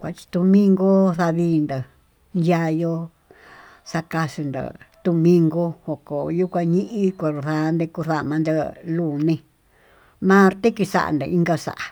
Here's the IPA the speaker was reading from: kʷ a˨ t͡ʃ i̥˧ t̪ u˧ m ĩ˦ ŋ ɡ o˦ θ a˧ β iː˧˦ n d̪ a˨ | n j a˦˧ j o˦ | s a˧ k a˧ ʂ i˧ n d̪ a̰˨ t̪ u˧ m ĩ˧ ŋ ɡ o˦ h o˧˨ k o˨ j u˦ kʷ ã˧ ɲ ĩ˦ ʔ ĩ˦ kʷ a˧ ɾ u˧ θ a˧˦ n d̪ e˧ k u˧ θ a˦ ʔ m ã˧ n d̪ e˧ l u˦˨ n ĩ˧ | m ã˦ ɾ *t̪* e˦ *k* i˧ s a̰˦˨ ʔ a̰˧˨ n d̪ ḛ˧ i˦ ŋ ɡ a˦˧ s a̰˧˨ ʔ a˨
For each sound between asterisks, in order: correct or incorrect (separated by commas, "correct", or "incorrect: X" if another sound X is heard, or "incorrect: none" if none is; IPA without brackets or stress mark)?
correct, correct